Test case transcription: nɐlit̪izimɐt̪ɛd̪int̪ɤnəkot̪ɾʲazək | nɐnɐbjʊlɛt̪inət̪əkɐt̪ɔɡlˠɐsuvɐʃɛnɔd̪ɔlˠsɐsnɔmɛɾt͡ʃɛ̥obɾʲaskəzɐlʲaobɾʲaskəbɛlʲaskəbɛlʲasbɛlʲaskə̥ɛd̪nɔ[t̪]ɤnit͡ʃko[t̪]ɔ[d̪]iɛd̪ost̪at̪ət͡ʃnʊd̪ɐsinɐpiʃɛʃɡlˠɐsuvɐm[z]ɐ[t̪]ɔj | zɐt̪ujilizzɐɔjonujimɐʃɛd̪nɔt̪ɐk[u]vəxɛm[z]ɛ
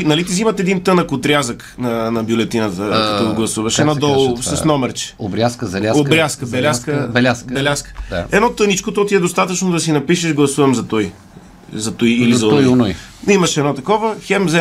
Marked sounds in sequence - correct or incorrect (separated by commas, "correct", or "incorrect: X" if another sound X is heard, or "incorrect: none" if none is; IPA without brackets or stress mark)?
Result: correct, correct, incorrect: t̪, correct, correct, incorrect: ɔ, correct